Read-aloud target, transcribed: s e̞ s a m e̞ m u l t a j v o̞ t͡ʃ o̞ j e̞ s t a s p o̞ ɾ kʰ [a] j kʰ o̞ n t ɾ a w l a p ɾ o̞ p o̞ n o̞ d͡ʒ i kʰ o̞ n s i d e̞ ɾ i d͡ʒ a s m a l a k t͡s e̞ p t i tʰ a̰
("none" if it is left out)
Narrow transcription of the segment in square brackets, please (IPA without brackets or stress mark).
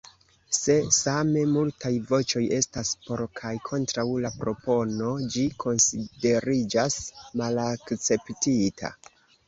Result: a